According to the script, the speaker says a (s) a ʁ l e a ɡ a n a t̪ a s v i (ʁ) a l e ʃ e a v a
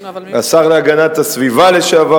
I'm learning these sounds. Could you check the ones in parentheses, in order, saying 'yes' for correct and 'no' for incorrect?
yes, no

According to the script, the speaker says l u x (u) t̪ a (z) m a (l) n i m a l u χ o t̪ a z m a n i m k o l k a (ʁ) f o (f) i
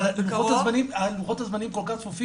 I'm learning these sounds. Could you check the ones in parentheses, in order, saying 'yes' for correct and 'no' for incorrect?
no, yes, no, no, yes

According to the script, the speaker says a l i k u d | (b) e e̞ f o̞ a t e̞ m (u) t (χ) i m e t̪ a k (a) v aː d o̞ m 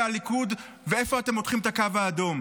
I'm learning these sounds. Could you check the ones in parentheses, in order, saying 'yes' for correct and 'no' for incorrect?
no, no, yes, yes

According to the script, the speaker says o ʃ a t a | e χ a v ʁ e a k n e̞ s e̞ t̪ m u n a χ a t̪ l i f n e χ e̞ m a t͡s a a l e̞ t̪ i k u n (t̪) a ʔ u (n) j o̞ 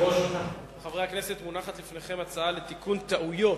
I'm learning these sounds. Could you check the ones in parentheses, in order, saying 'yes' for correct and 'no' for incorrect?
yes, no

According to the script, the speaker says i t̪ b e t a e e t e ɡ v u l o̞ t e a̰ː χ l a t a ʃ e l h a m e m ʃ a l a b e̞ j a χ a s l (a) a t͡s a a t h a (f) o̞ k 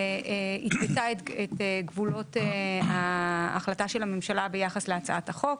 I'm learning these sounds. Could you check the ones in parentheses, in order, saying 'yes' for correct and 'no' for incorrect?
no, no

